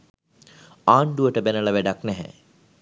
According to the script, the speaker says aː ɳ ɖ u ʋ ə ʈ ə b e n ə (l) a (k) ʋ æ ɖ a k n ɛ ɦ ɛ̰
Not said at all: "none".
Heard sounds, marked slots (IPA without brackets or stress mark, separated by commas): l, none